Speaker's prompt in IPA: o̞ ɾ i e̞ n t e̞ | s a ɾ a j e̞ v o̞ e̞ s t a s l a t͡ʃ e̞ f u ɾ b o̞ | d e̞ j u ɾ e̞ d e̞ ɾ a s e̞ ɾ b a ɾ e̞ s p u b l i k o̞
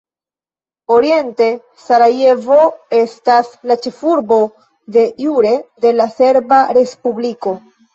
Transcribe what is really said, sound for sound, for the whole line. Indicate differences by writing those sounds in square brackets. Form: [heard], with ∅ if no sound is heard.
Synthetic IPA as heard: o̞ ɾ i e̞ n t e̞ | s a ɾ a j e̞ v o̞ e̞ s t a s l a t͡ʃ e̞ f u ɾ b o̞ | d e̞ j u ɾ e̞ d e̞ [l] a s e̞ ɾ b a ɾ e̞ s p u b l i k o̞